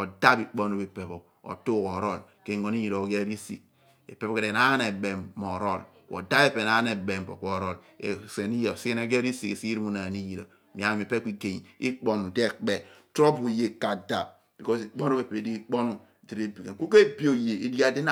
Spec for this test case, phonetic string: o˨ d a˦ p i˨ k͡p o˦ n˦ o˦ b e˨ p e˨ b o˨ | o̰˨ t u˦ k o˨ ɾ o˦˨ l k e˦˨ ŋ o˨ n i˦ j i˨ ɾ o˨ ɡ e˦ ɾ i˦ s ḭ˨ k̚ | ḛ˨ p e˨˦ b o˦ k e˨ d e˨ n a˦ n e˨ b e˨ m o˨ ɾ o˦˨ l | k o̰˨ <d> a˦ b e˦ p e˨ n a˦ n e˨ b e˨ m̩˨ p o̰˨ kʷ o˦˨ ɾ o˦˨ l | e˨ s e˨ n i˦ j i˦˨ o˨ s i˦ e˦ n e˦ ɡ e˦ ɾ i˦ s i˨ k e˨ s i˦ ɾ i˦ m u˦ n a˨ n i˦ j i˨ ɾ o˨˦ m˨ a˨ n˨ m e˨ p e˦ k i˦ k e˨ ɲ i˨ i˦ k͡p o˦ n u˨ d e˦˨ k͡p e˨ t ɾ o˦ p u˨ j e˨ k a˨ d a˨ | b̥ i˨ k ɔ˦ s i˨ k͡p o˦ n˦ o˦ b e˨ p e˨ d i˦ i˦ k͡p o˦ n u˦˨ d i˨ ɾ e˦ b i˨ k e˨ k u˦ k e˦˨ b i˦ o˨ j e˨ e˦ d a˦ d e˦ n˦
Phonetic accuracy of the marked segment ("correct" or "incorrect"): correct